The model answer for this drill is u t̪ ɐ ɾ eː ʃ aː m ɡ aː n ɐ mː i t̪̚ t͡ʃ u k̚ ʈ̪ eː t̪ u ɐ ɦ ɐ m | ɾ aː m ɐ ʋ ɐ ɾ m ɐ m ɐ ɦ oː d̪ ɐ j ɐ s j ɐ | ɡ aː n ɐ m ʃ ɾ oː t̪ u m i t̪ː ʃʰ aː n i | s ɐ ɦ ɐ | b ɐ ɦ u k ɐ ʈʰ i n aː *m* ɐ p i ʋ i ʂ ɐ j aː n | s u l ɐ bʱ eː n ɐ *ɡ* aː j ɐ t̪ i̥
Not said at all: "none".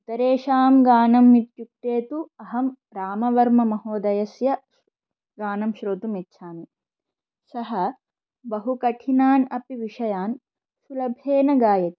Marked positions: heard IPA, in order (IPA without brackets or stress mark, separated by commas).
n, ɡ